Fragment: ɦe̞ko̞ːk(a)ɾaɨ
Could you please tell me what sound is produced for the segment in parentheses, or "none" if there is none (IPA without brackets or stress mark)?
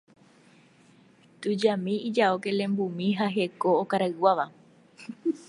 a